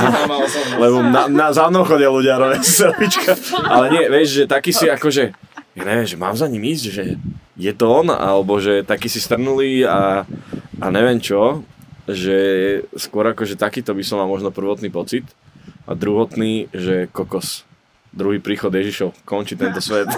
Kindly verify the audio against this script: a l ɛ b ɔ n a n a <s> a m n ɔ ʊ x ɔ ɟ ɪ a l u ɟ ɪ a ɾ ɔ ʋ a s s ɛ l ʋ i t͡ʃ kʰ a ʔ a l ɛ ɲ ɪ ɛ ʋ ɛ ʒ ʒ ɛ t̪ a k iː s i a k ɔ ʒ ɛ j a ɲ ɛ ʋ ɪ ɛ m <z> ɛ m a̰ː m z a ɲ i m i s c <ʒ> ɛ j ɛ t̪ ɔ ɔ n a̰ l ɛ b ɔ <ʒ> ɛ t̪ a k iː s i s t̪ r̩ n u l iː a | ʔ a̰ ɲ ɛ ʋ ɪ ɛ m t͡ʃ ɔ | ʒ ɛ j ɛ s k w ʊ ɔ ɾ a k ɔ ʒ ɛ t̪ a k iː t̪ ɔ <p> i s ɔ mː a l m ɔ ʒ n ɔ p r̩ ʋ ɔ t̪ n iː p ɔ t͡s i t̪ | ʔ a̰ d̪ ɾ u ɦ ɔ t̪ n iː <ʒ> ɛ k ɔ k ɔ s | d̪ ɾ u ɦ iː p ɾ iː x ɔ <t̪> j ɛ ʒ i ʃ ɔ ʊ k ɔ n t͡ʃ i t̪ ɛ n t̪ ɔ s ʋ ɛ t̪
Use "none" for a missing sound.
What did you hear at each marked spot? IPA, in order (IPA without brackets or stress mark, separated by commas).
z, ʒ, ʒ, ʒ, b, ʒ, d̪